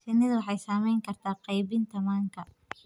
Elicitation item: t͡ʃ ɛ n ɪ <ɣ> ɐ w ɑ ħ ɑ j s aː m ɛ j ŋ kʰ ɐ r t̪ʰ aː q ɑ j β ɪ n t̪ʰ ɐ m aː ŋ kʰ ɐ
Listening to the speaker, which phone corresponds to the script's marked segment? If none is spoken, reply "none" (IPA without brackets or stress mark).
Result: ð